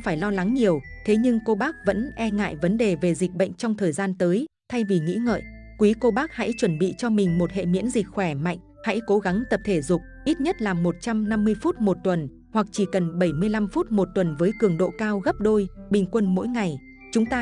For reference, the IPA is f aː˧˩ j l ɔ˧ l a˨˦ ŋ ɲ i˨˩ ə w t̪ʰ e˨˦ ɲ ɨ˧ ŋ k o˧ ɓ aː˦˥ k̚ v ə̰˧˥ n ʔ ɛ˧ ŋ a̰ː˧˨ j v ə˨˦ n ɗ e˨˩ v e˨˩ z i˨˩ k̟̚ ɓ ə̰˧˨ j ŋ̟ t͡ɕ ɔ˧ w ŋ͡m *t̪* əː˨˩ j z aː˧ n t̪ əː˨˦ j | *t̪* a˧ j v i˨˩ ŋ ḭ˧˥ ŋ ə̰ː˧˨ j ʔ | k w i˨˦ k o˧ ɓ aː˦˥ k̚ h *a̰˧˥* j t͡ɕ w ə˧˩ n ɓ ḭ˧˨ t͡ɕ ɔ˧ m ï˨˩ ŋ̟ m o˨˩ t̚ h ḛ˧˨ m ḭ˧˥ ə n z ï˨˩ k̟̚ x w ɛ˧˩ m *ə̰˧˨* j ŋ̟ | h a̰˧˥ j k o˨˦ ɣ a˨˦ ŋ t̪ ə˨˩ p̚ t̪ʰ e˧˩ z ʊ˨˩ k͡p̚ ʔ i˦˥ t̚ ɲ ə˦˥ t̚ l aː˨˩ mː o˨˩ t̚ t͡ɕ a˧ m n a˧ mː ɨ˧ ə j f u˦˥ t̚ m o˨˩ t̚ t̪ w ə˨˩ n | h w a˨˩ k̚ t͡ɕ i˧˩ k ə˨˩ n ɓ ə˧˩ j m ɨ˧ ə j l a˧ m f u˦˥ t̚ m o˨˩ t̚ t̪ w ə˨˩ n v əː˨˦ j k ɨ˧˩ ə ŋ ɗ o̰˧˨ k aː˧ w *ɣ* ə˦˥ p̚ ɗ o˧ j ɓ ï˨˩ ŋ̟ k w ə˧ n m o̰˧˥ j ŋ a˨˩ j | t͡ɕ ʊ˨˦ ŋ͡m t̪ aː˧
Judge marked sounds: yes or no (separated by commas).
no, no, yes, no, yes